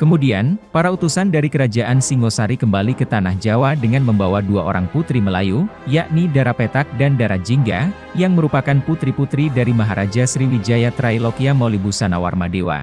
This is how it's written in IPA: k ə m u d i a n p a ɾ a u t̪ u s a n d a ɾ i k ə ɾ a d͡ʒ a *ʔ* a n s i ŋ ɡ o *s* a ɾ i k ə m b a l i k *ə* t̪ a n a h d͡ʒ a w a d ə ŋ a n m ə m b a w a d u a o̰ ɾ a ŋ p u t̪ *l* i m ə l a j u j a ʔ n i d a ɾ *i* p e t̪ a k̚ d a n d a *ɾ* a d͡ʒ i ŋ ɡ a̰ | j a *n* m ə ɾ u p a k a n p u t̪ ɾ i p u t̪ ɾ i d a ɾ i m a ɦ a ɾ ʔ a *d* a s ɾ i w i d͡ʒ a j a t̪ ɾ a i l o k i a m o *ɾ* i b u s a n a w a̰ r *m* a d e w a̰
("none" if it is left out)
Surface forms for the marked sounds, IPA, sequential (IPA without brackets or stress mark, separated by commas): ʔ, s, ə, ɾ, a, ɾ, ŋ, d͡ʒ, l, m